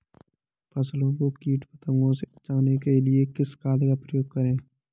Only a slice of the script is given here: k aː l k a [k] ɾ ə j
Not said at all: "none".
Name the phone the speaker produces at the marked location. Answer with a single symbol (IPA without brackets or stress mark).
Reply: p